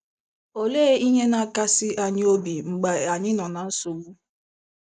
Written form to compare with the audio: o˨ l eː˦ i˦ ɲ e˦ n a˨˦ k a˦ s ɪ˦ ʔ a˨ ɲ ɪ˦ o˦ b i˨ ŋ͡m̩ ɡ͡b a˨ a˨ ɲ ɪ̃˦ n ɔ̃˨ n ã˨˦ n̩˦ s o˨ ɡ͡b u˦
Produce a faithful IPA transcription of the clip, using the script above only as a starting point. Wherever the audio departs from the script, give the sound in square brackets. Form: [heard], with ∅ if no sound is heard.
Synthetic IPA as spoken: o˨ l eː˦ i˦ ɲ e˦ n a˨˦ k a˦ s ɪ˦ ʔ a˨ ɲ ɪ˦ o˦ b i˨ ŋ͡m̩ ɡ͡b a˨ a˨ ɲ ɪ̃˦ n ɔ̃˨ n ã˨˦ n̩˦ s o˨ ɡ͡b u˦

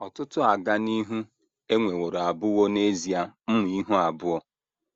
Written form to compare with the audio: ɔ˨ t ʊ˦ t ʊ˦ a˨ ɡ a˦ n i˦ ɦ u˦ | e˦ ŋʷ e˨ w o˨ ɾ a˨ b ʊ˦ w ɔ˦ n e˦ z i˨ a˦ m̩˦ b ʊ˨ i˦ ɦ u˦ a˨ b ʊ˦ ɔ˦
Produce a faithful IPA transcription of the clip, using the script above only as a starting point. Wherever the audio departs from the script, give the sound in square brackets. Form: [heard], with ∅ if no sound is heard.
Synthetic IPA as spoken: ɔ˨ t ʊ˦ t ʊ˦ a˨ ɡ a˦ n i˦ ɦ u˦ | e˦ ŋʷ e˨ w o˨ ɾ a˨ b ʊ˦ w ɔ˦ n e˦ z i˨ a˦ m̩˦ [m] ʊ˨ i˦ ɦ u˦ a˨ b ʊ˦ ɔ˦

